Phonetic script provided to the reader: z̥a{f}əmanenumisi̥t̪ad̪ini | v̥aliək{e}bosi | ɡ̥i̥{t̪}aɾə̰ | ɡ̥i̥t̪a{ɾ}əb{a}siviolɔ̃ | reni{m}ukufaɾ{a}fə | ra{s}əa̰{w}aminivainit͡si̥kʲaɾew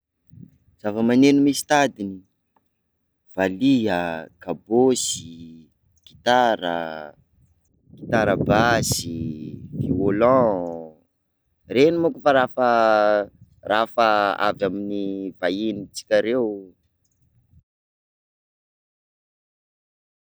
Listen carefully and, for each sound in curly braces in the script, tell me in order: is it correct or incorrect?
incorrect: v, incorrect: a, correct, correct, correct, correct, correct, incorrect: f, incorrect: v

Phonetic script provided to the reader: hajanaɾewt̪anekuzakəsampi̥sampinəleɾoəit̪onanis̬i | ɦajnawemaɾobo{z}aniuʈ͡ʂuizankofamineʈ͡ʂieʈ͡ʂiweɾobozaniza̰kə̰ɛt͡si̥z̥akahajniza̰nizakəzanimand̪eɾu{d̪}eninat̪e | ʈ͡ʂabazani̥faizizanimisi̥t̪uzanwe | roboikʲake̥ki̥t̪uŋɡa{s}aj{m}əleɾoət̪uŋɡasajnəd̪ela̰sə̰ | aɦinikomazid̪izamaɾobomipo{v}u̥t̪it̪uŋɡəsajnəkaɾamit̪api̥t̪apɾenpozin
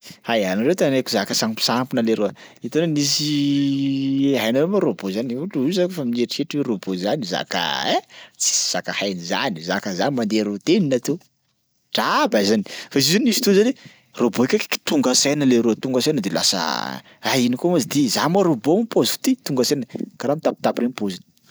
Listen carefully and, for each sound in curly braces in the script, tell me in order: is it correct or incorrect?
correct, incorrect: t̪, correct, incorrect: n, incorrect: z

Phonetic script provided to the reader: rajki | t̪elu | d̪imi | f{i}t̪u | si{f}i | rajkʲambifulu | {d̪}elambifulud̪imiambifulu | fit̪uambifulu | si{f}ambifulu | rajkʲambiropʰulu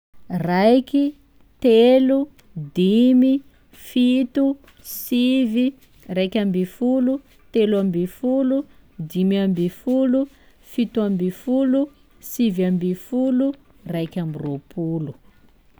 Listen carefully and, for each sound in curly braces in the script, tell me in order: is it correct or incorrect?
correct, incorrect: v, incorrect: t̪, incorrect: v

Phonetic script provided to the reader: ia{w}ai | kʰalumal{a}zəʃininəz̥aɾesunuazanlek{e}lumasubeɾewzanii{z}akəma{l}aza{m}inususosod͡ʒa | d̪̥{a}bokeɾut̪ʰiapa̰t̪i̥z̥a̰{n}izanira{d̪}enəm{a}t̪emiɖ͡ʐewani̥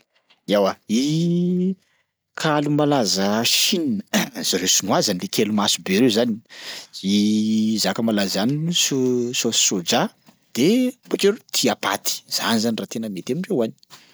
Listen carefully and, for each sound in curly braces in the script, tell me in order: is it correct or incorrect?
correct, correct, correct, correct, correct, incorrect: n, incorrect: e, correct, incorrect: t̪, incorrect: e

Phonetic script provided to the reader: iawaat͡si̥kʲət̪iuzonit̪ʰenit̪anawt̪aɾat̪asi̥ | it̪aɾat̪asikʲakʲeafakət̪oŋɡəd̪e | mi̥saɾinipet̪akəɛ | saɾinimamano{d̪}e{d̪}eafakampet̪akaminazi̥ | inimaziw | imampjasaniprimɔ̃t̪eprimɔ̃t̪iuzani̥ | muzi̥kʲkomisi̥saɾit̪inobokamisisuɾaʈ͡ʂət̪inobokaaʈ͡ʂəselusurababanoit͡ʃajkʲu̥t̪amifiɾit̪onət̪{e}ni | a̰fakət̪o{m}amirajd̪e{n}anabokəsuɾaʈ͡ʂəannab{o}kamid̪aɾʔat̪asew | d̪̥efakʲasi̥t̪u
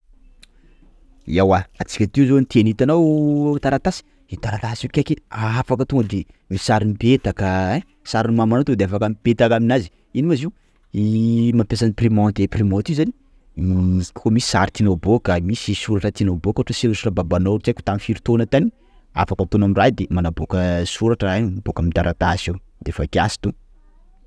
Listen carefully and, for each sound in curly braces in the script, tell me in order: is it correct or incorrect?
incorrect: t̪, correct, incorrect: a, incorrect: n, incorrect: m, correct

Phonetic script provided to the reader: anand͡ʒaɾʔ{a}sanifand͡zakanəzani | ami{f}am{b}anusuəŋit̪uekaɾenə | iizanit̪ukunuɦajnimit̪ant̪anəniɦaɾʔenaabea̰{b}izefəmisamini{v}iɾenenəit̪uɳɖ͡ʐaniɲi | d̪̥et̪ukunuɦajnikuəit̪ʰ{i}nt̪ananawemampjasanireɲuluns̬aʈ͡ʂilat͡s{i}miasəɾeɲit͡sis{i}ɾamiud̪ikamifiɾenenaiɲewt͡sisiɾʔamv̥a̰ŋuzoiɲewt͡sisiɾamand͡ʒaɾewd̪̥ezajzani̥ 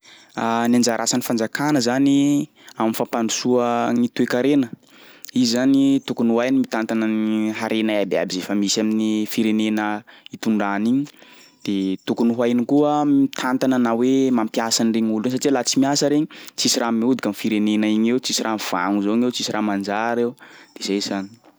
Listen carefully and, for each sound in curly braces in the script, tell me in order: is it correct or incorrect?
correct, correct, incorrect: p, correct, incorrect: f, incorrect: a, correct, correct

